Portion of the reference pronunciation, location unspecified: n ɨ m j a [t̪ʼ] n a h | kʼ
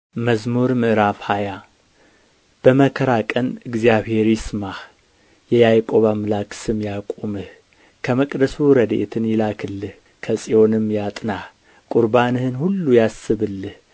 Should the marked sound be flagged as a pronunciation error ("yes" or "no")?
no